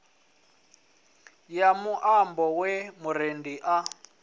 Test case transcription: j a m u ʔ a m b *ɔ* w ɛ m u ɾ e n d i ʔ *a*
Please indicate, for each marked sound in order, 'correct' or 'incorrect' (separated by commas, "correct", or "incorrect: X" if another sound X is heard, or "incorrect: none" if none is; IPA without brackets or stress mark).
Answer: correct, correct